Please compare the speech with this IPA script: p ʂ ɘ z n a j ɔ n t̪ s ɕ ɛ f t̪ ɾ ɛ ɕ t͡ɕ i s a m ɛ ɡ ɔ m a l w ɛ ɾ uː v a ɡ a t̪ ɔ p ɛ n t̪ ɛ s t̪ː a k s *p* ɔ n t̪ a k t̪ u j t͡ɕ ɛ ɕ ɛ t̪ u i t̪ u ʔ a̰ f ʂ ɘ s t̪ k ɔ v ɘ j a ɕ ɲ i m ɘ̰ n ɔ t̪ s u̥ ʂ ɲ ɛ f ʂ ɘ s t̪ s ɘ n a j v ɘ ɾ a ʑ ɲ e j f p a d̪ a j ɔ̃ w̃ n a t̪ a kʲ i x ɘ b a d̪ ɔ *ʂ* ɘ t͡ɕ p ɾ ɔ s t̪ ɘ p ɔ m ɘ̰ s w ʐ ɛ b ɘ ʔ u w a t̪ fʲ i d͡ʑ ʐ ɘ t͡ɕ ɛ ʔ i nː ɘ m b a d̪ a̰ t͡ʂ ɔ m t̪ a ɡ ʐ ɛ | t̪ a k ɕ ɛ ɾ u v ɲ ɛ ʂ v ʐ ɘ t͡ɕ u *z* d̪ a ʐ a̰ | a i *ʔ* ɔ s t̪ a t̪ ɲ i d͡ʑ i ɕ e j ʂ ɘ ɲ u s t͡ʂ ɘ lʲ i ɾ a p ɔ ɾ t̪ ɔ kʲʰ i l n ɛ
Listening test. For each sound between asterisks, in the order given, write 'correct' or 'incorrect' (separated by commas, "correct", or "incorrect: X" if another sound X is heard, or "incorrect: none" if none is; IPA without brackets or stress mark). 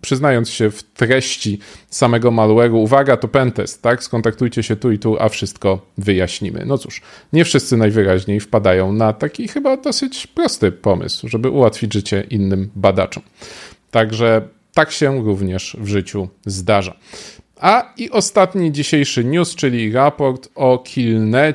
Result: incorrect: k, incorrect: s, correct, correct